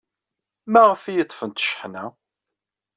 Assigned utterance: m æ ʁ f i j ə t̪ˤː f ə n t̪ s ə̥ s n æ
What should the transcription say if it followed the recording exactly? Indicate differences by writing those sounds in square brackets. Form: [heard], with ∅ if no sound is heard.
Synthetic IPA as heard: m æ ʁ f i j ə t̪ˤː f ə n t̪ [ʃ] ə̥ [ħ] n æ